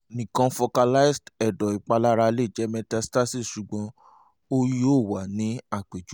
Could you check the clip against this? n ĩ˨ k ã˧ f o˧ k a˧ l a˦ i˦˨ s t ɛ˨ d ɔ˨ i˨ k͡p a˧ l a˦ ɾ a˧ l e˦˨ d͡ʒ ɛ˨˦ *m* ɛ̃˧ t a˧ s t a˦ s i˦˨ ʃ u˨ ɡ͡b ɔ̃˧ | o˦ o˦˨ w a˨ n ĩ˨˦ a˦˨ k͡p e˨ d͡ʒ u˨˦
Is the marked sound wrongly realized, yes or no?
no